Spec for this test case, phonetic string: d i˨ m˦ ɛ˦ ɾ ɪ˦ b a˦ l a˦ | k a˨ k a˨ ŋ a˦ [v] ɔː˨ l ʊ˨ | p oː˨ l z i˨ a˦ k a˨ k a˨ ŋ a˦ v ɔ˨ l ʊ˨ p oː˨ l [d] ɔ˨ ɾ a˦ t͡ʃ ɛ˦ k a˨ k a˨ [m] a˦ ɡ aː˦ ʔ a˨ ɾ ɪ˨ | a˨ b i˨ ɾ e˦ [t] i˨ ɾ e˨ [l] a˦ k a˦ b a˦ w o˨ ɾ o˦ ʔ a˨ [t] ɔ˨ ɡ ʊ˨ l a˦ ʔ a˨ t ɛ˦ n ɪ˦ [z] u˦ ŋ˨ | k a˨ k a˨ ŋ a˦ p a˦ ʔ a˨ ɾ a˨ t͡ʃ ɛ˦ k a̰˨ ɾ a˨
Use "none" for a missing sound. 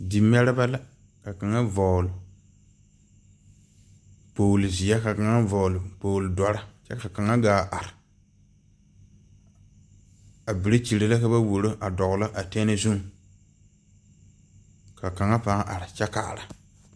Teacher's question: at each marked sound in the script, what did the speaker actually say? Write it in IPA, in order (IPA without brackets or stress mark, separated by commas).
v, d, ŋ, t͡ʃ, l, d, z